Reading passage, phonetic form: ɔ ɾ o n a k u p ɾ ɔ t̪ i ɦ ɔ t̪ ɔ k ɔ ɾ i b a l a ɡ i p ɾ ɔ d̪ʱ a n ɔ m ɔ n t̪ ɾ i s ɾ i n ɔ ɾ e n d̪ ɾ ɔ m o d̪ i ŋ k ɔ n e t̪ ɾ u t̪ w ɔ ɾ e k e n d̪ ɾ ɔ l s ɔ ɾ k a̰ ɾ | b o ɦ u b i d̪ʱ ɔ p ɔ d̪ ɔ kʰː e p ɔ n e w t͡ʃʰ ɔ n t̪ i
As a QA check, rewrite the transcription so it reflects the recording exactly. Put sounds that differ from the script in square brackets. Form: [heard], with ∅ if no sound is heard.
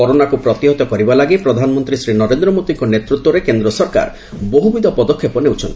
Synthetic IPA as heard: ɔ ɾ o n a k u p ɾ ɔ t̪ i ɦ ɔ t̪ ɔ k ɔ ɾ i b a l a ɡ i p ɾ ɔ d̪ʱ a n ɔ m ɔ n t̪ ɾ i s ɾ i n ɔ ɾ e n d̪ ɾ ɔ m o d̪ i ŋ k ɔ n e t̪ ɾ u t̪ w ɔ ɾ e k e n d̪ ɾ ɔ [∅] s ɔ ɾ k a̰ ɾ | b o ɦ u b i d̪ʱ ɔ p ɔ d̪ ɔ kʰː e p ɔ n e w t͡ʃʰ ɔ n t̪ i